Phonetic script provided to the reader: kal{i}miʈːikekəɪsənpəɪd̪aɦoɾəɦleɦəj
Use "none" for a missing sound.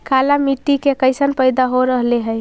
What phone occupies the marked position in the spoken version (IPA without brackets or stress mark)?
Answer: a